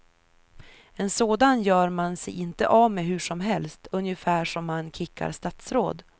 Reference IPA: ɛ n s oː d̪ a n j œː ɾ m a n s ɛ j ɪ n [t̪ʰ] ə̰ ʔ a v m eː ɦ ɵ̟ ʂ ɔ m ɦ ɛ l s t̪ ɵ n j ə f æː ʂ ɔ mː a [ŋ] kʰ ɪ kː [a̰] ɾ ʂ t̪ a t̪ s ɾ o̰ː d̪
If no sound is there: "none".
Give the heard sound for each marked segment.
t̪, n, a̰

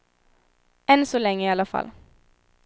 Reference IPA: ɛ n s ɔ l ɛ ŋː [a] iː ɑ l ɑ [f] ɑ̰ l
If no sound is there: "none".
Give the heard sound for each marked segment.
ə, f

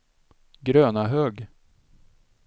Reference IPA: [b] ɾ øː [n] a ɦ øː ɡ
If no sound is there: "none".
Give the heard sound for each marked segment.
ɡ, n

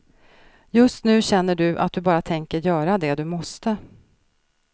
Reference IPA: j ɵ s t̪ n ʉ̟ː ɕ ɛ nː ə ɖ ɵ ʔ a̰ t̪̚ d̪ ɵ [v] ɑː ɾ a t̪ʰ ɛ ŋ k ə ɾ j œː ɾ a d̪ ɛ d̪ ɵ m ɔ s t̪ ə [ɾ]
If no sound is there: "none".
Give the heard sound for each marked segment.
b, none

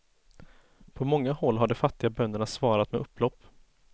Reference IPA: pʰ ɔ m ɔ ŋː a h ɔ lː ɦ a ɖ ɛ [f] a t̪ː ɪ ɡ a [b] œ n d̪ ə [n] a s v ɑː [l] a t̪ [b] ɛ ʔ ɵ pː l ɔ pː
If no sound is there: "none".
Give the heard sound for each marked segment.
f, b, ɳ, ɾ, m

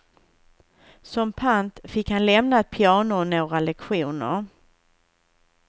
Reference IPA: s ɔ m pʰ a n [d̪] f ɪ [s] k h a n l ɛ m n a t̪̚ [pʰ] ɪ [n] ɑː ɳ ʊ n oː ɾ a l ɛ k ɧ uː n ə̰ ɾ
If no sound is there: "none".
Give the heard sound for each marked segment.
t̪, none, pʰ, none

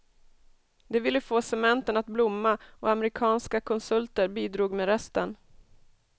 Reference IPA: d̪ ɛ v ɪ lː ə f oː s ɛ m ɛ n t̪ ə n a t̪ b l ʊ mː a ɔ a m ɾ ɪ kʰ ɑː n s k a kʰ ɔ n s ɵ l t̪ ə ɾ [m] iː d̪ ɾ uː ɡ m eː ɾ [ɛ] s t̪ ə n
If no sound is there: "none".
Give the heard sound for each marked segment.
b, ɛ

